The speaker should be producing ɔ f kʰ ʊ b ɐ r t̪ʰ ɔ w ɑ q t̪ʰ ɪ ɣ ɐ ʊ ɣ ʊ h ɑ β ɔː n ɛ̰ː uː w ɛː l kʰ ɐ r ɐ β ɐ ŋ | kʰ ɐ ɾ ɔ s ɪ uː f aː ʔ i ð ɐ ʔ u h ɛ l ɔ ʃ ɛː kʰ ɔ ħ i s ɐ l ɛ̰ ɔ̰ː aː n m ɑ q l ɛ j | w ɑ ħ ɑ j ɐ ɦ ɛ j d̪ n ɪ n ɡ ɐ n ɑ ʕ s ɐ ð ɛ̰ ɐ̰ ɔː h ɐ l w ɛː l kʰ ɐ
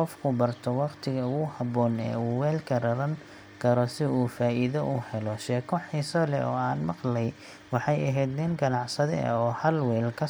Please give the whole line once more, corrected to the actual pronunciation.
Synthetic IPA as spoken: ɔ f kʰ ʊ b ɐ r t̪ʰ ɔ w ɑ q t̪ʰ ɪ ɣ ɐ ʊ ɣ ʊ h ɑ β ɔː n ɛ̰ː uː w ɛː l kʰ ɐ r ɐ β ɐ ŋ | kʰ ɐ ɾ ɔ s ɪ uː f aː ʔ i ð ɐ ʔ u h ɛ l ɔ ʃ ɛː kʰ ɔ ħ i s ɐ l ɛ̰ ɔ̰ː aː n m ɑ q l ɛ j | w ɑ ħ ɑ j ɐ ɦ ɛ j d̪ n ɪ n ɡ ɐ n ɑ ʕ s ɐ ð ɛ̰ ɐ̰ ɔː h ɐ l w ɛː l kʰ ɐ